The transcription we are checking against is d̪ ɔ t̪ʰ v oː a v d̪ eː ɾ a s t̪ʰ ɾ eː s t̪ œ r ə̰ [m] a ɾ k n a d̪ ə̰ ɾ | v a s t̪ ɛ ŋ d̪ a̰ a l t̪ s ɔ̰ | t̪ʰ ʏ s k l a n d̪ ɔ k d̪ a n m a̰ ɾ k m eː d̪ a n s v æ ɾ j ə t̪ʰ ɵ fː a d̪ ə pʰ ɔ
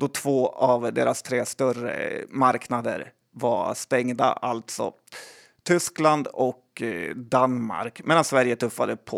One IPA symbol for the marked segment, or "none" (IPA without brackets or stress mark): m